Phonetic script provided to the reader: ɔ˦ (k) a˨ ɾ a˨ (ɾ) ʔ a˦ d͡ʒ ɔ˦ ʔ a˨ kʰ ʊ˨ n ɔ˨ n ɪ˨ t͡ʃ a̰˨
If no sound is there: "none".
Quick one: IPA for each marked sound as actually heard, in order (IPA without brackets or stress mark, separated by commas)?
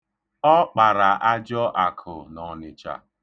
k͡p, none